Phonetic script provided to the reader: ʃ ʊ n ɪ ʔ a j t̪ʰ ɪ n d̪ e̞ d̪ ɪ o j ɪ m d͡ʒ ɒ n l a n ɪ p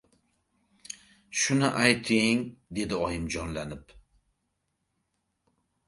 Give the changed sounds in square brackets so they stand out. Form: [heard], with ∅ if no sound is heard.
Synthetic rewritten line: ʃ ʊ n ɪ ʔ a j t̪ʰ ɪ [ŋ] d̪ e̞ d̪ ɪ [ɒ] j ɪ m d͡ʒ ɒ n l a n ɪ p